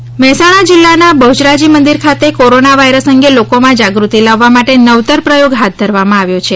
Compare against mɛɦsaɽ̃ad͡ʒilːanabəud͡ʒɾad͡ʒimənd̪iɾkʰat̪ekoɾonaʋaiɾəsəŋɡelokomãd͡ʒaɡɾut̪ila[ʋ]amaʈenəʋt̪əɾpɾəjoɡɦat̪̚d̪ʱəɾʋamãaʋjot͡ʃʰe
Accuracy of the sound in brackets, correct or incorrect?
incorrect